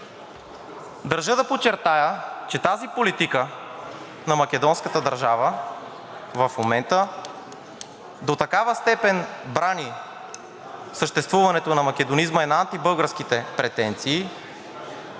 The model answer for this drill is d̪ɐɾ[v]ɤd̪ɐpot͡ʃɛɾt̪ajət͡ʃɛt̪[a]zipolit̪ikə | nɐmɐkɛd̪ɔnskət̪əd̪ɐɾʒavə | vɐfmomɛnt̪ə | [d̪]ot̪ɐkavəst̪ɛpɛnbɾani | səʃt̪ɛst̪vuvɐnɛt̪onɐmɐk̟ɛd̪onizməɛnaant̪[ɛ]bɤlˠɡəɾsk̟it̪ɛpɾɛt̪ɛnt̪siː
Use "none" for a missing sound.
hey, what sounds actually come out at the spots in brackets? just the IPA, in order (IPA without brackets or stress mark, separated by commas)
ʒ, a, d̪, i